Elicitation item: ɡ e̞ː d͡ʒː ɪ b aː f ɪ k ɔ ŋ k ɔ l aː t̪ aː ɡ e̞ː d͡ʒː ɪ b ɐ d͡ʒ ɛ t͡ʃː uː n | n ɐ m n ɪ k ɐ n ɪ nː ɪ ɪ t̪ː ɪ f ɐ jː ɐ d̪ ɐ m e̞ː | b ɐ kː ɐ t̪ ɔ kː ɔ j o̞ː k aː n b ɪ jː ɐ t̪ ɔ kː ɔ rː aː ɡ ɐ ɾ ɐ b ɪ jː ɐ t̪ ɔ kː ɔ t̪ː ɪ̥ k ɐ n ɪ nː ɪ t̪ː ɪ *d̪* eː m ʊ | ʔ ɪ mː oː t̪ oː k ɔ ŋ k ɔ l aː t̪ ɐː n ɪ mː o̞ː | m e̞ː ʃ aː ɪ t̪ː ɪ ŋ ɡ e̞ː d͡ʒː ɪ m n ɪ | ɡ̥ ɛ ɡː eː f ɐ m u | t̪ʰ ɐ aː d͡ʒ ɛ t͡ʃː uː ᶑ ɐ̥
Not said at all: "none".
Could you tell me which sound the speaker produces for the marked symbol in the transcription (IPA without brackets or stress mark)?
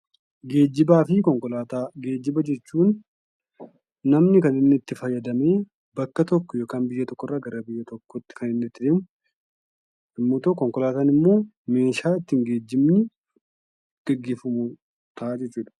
d̪